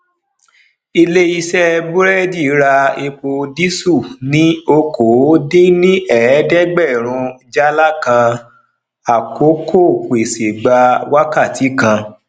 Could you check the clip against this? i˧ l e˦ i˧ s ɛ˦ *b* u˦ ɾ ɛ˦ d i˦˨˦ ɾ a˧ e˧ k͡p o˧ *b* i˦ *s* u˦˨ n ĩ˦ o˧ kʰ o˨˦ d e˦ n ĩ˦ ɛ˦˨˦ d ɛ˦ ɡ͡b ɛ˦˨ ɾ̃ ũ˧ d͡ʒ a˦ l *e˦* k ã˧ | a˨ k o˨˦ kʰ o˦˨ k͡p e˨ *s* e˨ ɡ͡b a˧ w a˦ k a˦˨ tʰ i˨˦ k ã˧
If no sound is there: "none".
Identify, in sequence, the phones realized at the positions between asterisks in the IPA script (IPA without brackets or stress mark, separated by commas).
b, d, s, a˦, s